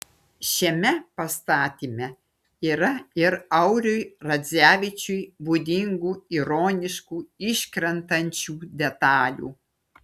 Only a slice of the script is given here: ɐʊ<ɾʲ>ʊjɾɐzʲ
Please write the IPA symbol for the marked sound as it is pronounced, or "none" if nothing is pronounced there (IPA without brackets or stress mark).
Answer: ɾʲ